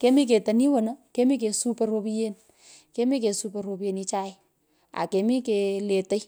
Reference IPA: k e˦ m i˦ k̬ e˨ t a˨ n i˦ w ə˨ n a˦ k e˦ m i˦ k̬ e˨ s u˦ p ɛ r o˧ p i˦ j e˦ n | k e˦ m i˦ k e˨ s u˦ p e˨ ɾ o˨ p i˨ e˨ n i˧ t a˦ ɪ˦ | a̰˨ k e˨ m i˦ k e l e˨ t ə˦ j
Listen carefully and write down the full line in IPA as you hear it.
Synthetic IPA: k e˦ m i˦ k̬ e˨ t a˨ n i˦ w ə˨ n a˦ k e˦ m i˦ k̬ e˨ s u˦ p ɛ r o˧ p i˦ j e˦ n | k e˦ m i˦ k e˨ s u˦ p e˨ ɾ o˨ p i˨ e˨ n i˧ t͡ʃ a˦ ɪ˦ | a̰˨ k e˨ m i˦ k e l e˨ t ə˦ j